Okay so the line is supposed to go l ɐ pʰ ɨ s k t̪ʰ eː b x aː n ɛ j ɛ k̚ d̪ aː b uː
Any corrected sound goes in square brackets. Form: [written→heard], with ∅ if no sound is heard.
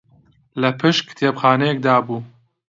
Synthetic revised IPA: l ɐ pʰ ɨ [s→ʃ] k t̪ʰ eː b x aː n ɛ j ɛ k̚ d̪ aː b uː